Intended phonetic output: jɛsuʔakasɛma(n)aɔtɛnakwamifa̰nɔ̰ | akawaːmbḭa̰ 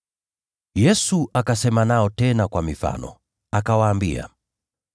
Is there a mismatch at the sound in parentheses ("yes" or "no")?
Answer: no